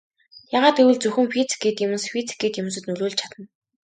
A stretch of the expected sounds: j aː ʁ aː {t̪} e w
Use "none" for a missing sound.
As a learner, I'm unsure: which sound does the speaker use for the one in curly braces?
t̪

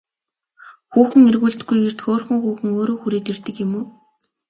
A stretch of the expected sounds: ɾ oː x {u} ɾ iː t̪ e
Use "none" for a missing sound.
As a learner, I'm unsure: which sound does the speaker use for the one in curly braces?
u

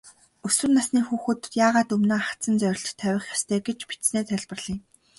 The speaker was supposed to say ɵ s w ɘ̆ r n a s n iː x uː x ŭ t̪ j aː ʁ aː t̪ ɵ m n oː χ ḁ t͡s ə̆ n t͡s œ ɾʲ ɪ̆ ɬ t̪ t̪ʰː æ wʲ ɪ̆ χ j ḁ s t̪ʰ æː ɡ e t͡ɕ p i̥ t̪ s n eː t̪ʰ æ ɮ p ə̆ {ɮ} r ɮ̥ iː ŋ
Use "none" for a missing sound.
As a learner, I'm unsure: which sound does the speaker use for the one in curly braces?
none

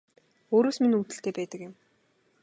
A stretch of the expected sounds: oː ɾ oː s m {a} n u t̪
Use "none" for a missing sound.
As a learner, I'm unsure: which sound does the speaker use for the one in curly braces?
i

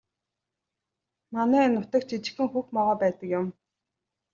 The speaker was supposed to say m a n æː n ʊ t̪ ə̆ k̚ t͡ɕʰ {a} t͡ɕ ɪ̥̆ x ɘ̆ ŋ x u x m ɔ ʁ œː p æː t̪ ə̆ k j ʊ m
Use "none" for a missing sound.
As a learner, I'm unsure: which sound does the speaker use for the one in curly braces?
i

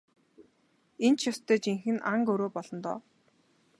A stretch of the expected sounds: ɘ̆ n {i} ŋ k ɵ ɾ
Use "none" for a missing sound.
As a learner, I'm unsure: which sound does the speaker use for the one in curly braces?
a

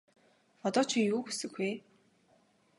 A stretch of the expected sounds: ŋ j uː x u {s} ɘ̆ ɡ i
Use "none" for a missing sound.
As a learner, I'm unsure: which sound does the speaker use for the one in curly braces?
s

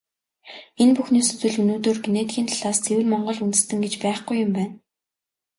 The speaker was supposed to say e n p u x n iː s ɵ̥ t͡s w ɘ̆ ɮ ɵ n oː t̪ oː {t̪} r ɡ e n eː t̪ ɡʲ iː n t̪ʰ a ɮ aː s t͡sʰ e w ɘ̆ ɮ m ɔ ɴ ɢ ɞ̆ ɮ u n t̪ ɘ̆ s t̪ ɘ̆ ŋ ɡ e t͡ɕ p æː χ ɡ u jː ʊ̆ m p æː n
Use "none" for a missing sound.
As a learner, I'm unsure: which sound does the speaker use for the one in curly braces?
none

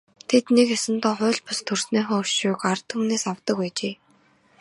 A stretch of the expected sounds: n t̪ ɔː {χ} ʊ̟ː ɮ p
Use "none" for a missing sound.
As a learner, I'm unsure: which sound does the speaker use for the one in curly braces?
χ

